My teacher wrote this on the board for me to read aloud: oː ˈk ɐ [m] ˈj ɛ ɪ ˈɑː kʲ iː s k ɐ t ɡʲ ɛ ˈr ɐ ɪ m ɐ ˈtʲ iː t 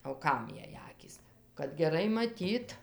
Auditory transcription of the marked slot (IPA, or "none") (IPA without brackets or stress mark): m